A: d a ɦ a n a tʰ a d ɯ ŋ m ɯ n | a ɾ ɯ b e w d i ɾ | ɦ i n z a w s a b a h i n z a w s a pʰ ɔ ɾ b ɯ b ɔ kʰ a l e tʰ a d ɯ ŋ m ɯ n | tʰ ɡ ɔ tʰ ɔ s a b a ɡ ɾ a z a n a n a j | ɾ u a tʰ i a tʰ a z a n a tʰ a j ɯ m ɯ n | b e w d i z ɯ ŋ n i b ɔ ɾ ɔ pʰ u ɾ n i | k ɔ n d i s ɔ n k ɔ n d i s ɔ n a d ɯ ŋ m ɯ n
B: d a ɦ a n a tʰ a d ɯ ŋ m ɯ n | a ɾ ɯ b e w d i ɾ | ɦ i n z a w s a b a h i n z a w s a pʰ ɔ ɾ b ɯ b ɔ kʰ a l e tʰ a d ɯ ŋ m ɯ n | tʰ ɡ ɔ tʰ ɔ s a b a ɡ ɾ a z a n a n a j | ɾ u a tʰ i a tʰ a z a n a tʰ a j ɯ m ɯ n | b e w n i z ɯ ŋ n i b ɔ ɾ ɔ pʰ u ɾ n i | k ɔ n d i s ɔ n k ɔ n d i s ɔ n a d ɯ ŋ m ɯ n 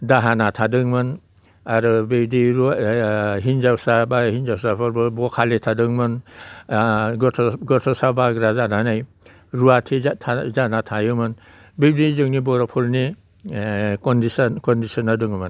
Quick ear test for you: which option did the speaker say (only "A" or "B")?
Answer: A